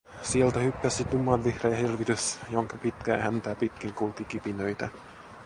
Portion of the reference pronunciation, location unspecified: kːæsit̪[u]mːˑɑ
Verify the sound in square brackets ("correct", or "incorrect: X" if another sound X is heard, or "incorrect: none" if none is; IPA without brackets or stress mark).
correct